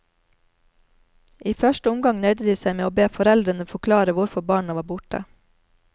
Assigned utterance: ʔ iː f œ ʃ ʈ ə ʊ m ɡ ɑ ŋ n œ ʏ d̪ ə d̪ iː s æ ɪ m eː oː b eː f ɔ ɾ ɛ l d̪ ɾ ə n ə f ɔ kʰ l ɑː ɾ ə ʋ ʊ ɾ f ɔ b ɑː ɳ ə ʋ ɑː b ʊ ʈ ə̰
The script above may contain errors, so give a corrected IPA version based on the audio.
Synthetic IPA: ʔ iː f œ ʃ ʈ ə ʊ m ɡ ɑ ŋ n œ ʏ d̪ ə d̪ iː s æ ɪ m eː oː b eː f ɔ ɾ ɛ l d̪ ɾ ə n ə f ɔ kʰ l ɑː ɾ ə ʋ ʊ ɾ f ɔ b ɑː ɳ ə ʋ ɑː b ʊ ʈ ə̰